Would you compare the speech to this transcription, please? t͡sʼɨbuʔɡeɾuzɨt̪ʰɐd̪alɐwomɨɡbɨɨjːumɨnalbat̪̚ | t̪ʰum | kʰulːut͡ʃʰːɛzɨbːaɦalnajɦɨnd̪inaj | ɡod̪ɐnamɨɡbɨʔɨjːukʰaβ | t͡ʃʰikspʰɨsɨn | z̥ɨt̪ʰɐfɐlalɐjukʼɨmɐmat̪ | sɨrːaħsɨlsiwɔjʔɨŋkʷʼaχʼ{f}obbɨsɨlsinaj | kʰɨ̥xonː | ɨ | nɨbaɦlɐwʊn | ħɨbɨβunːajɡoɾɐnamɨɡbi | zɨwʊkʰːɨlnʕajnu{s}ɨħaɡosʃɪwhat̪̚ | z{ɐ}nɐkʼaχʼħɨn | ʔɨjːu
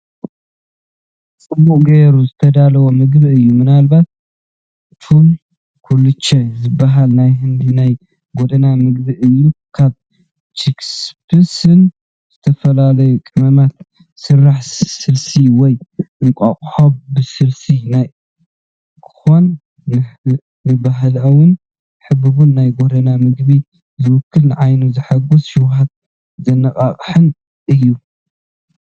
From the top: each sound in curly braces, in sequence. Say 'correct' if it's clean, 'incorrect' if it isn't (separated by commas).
incorrect, incorrect, correct